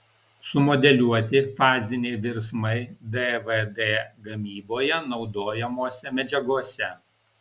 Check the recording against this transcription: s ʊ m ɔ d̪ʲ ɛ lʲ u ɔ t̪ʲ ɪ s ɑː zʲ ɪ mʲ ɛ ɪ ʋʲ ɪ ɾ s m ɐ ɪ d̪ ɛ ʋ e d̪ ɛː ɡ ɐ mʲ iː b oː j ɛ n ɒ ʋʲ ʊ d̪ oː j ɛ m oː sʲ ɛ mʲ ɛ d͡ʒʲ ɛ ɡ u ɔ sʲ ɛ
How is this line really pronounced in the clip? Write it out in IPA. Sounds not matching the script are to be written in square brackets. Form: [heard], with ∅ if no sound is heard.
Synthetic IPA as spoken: s ʊ m ɔ d̪ʲ ɛ lʲ u ɔ t̪ʲ ɪ [f] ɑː zʲ ɪ [nʲ] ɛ ɪ ʋʲ ɪ ɾ s m ɐ ɪ d̪ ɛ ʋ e d̪ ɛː ɡ ɐ mʲ iː b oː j ɛ n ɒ [∅] ʊ d̪ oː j ɛ m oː sʲ ɛ mʲ ɛ d͡ʒʲ ɛ ɡ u ɔ sʲ ɛ